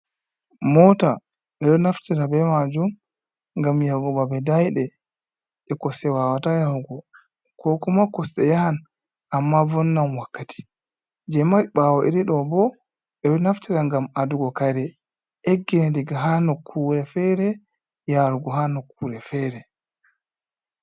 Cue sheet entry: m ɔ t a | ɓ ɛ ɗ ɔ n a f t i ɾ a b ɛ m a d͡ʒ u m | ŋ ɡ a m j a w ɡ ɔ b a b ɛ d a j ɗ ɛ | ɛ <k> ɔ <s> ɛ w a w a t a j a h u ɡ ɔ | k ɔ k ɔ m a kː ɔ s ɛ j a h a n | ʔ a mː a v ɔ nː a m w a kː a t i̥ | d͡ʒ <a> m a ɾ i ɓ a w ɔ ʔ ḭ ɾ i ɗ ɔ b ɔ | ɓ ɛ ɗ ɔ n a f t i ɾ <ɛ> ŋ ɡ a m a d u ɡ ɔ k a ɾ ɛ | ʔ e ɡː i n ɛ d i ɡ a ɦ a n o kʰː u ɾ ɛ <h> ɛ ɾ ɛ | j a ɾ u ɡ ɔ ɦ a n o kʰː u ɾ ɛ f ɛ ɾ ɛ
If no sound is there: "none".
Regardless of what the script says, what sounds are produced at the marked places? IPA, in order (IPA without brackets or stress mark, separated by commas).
k, s, ɛ, a, f